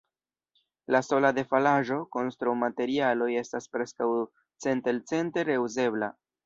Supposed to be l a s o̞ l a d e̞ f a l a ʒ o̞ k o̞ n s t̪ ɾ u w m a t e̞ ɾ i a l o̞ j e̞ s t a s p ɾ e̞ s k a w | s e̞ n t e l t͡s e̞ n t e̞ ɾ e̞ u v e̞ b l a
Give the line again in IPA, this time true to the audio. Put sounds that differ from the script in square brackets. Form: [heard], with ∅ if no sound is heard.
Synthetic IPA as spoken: l a s o̞ l a d e̞ f a l a ʒ o̞ k o̞ n s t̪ ɾ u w m a t e̞ ɾ i a l o̞ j e̞ s t a s p ɾ e̞ s k a w | [t͡s] e̞ n t e l t͡s e̞ n t e̞ ɾ e̞ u [z] e̞ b l a